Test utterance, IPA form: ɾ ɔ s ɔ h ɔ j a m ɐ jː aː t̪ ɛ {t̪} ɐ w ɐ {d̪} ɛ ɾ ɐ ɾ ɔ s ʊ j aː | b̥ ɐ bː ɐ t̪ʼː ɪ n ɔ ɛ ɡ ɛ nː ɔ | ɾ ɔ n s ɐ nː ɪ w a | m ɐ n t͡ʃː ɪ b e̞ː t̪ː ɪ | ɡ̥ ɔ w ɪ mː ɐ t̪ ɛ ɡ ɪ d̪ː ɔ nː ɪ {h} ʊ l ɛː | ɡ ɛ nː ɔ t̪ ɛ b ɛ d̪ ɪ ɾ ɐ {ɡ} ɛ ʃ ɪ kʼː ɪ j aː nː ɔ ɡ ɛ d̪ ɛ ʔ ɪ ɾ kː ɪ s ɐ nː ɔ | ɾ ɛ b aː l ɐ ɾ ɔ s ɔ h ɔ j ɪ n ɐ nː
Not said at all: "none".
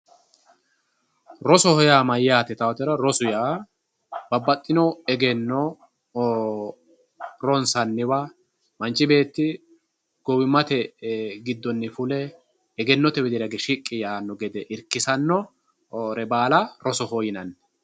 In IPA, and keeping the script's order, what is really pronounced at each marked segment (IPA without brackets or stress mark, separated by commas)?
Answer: t̪, t̪, f, ɡ